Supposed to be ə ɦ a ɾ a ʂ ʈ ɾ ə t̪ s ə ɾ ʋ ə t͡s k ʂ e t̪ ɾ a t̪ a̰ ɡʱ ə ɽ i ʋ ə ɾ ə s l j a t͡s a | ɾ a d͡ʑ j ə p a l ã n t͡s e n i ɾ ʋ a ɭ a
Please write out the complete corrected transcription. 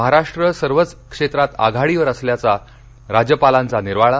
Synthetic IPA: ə ɦ a ɾ a ʂ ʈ ɾ ə s ə ɾ ʋ ə t͡s k ʂ e t̪ ɾ a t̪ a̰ ɡʱ a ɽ i ʋ ə ɾ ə s l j a t͡s a | ɾ a d͡ʑ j ə p a l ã n t͡s a n i ɾ ʋ a ɭ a